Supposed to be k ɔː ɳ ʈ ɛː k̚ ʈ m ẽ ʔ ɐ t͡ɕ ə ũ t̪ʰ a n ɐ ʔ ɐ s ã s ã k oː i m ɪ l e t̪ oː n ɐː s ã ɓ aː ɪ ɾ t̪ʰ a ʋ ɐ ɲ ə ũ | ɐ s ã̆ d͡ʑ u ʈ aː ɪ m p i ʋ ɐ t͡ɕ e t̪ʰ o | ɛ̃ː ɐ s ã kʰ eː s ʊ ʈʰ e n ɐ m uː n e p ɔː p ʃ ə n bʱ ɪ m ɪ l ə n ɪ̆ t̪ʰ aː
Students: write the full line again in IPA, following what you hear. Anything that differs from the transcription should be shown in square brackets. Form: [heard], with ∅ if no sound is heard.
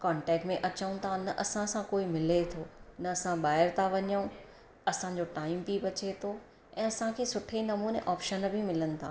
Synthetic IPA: k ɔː ɳ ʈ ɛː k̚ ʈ m ẽ ʔ ɐ t͡ɕ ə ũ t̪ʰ a n ɐ ʔ ɐ s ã s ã k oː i m ɪ l e [t̪ʰ] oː n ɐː s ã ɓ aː ɪ ɾ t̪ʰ a ʋ ɐ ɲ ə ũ | ɐ s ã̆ d͡ʑ [o] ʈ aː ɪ m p i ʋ ɐ t͡ɕ e t̪ʰ o | ɛ̃ː ɐ s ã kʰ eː s ʊ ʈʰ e n ɐ m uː n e [ʔ] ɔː p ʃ ə n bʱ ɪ m ɪ l ə n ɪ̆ t̪ʰ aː